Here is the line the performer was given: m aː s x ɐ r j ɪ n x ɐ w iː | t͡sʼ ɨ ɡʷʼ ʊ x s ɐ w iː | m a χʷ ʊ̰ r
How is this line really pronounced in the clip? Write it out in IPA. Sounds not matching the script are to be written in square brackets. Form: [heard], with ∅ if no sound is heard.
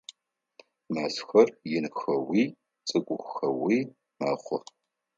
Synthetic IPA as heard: m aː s x ɐ r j ɪ n x ɐ w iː | t͡sʼ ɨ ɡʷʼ ʊ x [x] ɐ w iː | m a χʷ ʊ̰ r